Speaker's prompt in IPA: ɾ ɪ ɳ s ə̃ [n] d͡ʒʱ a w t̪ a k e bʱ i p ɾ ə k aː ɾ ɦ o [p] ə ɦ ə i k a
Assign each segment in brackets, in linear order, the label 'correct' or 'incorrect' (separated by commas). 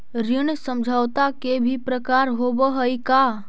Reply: incorrect, incorrect